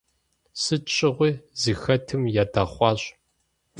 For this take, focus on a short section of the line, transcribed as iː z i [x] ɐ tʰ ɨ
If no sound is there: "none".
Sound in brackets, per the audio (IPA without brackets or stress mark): x